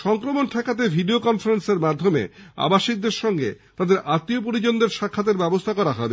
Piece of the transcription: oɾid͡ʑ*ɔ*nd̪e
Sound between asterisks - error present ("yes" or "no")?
yes